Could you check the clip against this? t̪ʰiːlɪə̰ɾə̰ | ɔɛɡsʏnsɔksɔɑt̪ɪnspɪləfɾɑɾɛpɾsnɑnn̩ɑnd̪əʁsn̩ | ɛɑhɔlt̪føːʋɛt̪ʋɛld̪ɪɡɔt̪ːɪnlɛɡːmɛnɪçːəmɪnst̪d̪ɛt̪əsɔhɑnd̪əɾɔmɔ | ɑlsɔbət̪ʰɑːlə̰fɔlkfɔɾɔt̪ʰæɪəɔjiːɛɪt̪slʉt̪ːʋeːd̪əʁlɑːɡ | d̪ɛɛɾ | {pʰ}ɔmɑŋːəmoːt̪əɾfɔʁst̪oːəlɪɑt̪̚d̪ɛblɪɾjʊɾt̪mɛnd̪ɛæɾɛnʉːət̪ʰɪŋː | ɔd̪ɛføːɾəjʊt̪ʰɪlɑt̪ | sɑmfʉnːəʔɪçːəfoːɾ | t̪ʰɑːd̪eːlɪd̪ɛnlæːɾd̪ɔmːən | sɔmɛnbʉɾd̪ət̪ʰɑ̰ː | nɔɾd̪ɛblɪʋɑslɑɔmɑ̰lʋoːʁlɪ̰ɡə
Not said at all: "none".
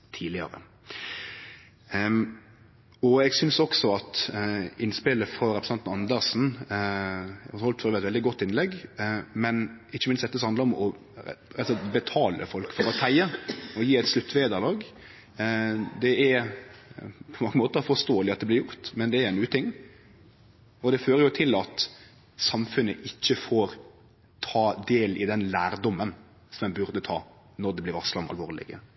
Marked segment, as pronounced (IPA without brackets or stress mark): pʰ